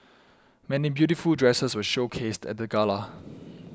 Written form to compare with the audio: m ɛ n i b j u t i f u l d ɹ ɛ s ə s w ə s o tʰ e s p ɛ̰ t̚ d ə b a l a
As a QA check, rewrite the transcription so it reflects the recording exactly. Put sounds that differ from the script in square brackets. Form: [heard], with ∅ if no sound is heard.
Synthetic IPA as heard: m ɛ n i b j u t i f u l d ɹ ɛ s ə s w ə [ʃ] o [kʰ] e s [t] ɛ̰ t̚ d ə [ɡ] a l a